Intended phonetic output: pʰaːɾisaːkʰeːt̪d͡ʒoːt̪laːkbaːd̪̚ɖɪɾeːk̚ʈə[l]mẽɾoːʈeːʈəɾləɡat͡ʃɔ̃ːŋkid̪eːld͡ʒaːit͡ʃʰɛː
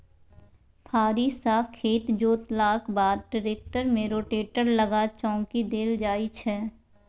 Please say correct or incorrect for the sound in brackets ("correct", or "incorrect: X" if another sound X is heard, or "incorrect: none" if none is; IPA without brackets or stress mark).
incorrect: ɾ